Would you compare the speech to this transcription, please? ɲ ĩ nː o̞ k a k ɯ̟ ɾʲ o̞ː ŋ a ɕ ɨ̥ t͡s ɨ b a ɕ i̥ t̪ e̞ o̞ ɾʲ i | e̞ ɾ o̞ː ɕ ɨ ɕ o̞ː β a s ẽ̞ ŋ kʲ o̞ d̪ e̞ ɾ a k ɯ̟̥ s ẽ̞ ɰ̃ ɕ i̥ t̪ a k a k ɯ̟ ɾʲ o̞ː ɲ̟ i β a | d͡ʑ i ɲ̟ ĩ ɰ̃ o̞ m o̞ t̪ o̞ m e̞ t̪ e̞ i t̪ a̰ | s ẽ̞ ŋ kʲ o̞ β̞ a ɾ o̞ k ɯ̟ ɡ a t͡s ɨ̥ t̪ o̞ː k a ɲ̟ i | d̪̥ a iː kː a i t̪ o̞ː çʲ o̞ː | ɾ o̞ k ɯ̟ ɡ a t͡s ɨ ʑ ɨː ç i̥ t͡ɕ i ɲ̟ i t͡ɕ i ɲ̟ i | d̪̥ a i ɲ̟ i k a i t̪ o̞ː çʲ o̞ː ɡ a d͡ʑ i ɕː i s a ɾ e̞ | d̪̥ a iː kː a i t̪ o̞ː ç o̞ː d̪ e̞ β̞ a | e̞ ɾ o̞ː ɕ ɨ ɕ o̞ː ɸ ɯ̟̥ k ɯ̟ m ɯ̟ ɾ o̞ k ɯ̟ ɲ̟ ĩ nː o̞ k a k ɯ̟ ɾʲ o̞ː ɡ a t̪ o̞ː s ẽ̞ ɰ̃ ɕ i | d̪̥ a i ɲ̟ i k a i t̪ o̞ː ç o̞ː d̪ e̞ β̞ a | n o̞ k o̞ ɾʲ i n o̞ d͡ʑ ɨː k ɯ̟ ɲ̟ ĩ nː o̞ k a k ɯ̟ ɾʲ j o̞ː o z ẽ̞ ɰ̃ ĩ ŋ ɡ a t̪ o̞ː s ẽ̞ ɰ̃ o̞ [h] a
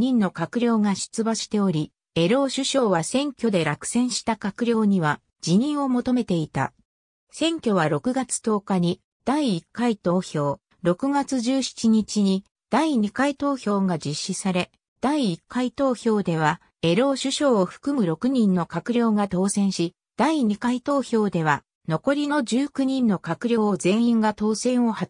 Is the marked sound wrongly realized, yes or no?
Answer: no